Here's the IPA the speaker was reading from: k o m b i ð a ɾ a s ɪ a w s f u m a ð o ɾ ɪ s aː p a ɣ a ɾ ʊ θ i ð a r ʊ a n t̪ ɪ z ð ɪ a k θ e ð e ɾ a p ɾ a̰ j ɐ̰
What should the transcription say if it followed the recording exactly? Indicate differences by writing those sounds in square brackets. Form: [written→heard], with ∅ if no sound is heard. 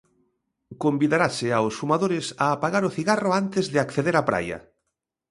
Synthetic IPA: k o m b i ð a ɾ a s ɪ a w s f u m a ð o ɾ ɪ s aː p a ɣ a ɾ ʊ θ i [ð→ɣ] a r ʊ a n t̪ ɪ z ð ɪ a k θ e ð e ɾ a p ɾ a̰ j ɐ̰

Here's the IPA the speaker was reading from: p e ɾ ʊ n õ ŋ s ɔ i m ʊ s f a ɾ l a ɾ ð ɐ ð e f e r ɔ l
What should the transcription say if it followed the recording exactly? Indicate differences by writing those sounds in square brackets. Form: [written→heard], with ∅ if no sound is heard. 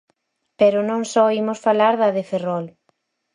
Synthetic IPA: p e ɾ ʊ n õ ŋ s ɔ i m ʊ s f a [ɾ→∅] l a ɾ ð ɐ ð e f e r ɔ l

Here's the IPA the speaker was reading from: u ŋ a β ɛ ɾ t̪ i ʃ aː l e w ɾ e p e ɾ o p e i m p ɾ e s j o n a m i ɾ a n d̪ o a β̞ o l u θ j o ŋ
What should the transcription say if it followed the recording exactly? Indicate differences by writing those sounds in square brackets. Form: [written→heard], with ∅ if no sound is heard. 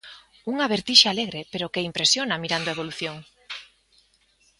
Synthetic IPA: u ŋ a β [ɛ→e] ɾ t̪ i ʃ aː l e [w→ɣ] ɾ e p e ɾ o [p→k] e i m p ɾ e s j o n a m i ɾ a n d̪ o [a→e] β̞ o l u θ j o ŋ

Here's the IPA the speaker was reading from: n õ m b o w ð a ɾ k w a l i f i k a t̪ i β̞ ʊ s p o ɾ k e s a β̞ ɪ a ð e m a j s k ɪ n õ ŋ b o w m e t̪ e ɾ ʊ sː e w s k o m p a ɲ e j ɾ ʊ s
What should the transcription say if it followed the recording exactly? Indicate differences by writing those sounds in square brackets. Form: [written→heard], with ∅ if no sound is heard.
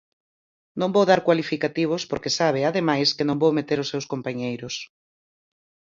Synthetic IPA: n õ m b o w ð a ɾ k w a l i f i k a t̪ i β̞ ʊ s p o ɾ k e s a β̞ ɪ a ð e m a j s k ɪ n õ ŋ b o w m e t̪ e ɾ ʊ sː e w s k o m p a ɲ e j ɾ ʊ s

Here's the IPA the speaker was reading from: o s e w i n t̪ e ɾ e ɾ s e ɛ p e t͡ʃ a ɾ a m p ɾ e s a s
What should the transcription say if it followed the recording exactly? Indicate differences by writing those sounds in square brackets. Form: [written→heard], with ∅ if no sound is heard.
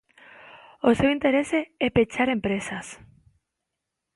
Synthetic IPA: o s e w i n t̪ e ɾ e [ɾ→∅] s e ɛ p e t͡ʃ a ɾ [a→e] m p ɾ e s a s

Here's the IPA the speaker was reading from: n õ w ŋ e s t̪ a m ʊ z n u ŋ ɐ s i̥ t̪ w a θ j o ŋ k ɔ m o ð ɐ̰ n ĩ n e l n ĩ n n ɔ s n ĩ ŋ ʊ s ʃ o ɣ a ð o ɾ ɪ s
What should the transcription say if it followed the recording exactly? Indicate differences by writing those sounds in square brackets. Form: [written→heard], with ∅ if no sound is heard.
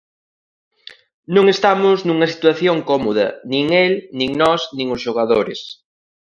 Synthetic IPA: n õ [w→∅] ŋ e s t̪ a m ʊ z n u ŋ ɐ s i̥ t̪ w a θ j o ŋ k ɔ m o ð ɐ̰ n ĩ [n→ŋ] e l n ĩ [n→ŋ] n ɔ s n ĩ ŋ ʊ s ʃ o ɣ a ð o ɾ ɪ s

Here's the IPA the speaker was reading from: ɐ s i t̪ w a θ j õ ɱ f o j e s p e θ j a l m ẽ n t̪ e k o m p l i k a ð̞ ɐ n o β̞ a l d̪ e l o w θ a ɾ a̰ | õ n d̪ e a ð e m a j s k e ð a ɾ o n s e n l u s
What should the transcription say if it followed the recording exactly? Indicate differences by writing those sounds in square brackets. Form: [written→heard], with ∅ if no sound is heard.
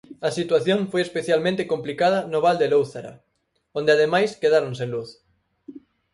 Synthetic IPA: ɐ s i t̪ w a θ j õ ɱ f o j e s p e θ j a l m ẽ n t̪ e k o m p l i k a ð̞ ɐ n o β̞ a l d̪ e l o w θ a ɾ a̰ | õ n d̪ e a ð e m a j s k e ð a ɾ o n s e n l u [s→θ]

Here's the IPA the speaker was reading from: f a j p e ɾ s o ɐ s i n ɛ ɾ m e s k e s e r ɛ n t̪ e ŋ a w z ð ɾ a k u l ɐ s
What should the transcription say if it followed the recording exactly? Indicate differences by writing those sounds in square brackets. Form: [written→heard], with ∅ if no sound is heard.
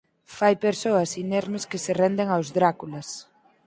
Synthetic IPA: f a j p e ɾ s o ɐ s i n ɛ ɾ m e s k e s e r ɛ n [t̪→d̪] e ŋ a w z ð ɾ a k u l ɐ s

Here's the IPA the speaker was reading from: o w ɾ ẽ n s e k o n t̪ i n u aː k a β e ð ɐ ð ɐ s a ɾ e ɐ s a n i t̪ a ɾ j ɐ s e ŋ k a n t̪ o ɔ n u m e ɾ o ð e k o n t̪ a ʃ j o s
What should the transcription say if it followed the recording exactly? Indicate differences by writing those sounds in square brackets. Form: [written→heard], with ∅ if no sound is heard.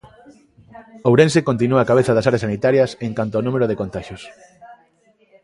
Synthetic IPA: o w ɾ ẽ n s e k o n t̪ i n u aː k a β e [ð→θ] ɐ ð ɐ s a ɾ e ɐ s a n i t̪ a ɾ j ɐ s e ŋ k a n t̪ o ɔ n u m e ɾ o ð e k o n t̪ a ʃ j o s

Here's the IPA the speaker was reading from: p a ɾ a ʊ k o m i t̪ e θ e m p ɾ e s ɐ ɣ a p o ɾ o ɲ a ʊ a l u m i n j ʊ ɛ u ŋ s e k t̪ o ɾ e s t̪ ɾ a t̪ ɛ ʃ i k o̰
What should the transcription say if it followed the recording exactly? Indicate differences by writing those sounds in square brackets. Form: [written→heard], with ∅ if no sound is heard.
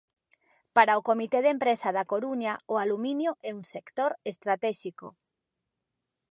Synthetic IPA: p a ɾ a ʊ k o m i t̪ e [θ→ð] e m p ɾ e s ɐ [ɣ→ð] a [p→k] o ɾ [o→u] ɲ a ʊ a l u m i n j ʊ ɛ u ŋ s e k t̪ o ɾ e s t̪ ɾ a t̪ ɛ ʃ i k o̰

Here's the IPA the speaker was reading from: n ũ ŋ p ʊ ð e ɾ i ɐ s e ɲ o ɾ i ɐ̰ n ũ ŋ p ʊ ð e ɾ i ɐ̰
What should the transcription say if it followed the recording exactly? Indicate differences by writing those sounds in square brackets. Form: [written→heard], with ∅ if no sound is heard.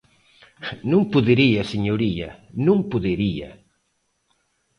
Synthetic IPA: n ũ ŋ p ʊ ð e ɾ i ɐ s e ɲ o ɾ i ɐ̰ n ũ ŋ p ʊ ð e ɾ i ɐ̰

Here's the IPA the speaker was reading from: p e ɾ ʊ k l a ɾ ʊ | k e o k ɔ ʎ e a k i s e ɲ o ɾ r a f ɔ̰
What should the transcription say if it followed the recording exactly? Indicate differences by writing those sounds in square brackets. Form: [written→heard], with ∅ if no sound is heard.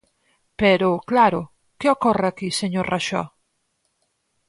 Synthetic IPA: p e ɾ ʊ k l a ɾ ʊ | k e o k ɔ [ʎ→r] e a k i s e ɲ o ɾ r a [f→ʃ] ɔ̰

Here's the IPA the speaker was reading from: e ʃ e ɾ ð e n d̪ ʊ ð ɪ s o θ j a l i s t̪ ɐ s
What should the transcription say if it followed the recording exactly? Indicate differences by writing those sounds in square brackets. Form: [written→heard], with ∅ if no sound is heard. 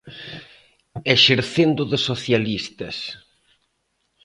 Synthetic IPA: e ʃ e ɾ [ð→θ] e n d̪ ʊ ð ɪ s o θ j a l i s t̪ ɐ s

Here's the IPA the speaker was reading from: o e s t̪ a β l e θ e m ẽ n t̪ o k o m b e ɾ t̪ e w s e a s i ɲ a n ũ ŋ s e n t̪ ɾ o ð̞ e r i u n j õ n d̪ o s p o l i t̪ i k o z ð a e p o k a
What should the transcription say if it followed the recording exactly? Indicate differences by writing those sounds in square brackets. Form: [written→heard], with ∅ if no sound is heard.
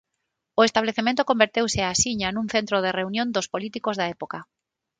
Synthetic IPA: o e s t̪ a β l e θ e m ẽ n t̪ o k o m b e ɾ t̪ e w s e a s i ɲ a n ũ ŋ [s→θ] e n t̪ ɾ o ð̞ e r [i→e] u n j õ n d̪ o s p o l i t̪ i k o z ð a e p o k a

